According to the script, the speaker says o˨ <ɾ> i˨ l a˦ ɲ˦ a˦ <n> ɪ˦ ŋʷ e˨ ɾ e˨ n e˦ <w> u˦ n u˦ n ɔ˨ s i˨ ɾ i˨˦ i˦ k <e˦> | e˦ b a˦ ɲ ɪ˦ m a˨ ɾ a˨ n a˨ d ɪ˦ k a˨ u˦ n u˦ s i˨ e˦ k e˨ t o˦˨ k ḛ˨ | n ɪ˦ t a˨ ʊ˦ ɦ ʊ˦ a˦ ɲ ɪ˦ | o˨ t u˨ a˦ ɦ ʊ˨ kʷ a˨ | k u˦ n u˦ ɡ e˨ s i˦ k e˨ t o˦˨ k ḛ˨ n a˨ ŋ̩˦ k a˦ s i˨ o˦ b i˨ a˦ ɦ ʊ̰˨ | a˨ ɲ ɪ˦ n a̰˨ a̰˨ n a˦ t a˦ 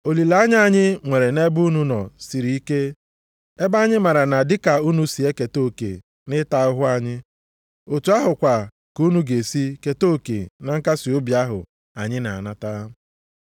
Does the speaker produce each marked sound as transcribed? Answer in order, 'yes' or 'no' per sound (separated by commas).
no, no, no, yes